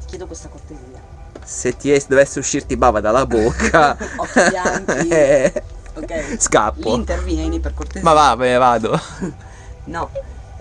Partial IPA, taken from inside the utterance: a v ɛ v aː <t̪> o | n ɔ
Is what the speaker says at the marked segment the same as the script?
no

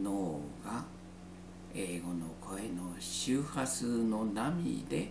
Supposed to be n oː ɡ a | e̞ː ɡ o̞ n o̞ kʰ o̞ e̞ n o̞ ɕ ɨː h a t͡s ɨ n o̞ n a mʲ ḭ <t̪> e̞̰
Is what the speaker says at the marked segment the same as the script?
no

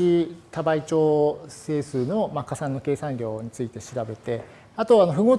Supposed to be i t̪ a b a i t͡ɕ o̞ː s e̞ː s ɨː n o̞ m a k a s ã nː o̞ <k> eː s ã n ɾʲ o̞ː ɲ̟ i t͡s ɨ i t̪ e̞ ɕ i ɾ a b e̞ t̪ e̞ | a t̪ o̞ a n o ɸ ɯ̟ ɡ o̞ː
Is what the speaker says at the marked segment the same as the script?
yes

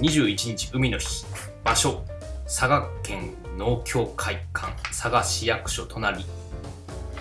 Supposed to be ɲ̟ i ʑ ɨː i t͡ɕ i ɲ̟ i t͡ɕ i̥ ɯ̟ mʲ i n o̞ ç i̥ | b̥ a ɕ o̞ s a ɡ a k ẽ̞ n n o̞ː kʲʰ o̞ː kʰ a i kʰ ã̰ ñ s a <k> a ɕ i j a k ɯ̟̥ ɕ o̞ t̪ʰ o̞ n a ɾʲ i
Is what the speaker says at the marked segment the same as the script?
no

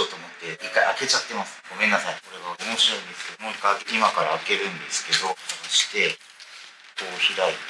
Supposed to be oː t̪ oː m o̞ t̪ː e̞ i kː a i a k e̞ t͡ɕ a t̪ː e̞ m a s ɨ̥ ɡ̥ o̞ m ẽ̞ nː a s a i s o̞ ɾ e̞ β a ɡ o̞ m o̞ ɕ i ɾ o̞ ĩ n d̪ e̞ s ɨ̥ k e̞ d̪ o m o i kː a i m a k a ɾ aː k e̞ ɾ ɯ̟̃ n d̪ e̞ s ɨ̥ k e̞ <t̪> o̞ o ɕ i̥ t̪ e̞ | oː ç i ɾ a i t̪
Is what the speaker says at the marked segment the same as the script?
no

